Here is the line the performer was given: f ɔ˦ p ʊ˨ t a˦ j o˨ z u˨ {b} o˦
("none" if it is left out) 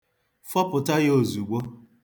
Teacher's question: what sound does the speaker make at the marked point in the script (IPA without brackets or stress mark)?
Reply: ɡ͡b